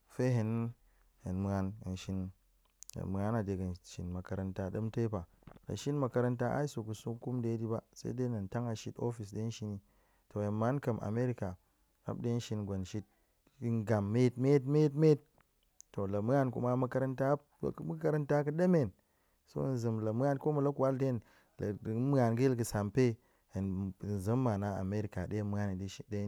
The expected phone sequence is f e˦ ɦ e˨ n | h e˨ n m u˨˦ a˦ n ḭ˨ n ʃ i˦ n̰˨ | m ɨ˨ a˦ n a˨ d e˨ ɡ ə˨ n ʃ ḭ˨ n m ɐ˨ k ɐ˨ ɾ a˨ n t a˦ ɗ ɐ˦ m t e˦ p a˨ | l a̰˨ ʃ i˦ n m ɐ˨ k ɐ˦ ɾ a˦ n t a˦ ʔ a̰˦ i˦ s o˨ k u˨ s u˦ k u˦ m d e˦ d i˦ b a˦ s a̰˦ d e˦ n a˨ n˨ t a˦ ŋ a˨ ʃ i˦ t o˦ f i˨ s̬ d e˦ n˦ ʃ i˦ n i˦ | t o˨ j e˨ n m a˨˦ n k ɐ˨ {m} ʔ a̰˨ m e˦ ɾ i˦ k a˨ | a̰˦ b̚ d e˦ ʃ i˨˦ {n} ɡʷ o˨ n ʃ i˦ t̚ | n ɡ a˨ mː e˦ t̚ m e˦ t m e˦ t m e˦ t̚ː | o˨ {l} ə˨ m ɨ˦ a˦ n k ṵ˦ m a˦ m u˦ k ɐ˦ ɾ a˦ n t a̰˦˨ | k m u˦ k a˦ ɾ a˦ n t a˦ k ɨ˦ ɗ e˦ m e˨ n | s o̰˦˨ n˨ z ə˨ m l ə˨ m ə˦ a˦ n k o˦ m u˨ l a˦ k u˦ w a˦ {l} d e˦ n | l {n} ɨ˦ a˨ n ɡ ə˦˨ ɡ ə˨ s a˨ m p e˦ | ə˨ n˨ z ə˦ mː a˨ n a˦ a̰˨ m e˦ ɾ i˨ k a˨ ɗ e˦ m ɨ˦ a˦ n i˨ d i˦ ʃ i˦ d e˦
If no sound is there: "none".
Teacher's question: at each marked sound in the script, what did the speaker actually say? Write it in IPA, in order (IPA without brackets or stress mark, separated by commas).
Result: m, n, l, l, m